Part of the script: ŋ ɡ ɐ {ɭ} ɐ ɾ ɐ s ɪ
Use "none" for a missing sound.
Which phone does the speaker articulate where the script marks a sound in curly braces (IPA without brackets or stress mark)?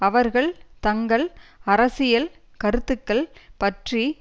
ɭ